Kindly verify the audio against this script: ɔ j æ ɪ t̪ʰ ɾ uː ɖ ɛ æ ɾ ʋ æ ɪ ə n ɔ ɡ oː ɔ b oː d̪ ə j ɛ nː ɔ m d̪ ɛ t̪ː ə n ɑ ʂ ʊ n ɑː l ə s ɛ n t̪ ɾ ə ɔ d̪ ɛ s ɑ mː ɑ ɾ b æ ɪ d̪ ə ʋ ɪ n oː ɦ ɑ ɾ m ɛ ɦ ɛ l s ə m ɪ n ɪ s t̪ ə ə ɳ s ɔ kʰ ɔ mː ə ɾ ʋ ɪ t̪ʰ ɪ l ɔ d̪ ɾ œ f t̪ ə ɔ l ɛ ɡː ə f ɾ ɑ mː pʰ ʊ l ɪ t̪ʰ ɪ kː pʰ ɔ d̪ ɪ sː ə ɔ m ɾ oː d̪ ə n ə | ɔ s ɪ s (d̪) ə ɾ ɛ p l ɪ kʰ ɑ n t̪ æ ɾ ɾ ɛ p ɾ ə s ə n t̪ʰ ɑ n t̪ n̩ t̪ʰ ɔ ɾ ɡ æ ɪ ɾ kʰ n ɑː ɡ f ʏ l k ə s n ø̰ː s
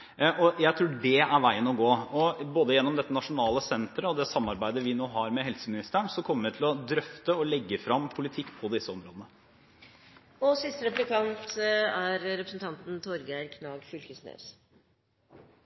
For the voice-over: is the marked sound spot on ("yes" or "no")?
no